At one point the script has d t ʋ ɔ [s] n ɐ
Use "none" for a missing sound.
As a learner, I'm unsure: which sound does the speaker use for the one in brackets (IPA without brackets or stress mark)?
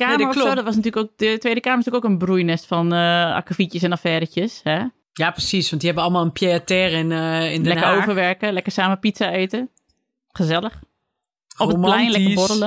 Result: s